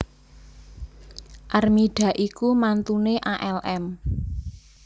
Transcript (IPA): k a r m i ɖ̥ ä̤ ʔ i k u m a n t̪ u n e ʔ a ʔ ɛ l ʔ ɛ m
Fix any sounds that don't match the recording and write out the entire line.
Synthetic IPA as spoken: ʔ a r m i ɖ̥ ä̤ ʔ i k u m a n t̪ u n e ʔ a ʔ ɛ l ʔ ɛ m